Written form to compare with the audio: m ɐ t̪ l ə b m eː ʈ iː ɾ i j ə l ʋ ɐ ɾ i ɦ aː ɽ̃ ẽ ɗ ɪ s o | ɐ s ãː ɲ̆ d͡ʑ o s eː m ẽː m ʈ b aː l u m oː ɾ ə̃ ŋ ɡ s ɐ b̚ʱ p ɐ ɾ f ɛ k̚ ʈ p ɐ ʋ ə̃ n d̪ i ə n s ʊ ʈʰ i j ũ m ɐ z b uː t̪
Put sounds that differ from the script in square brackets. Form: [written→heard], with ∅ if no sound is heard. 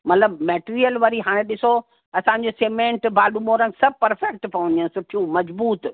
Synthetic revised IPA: m ɐ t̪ l ə b m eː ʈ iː ɾ i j ə l ʋ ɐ ɾ i ɦ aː ɽ̃ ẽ ɗ ɪ s o | ɐ s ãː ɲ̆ d͡ʑ o s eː m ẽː [m→ɳ] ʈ b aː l u m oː ɾ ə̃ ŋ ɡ s ɐ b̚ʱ p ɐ ɾ f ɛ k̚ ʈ p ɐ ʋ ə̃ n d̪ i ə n s ʊ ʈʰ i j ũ m ɐ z b uː t̪